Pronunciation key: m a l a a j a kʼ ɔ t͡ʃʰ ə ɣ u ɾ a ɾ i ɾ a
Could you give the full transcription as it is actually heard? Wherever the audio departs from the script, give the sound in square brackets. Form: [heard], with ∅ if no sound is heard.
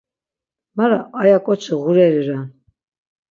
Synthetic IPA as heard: m a [ɾ] a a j a kʼ ɔ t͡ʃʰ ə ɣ u ɾ [ɛ] ɾ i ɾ a